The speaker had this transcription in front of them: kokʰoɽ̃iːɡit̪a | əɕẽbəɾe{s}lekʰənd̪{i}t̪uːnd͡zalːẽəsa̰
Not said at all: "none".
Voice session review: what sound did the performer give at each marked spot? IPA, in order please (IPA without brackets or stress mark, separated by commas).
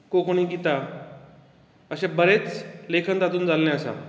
t͡s, a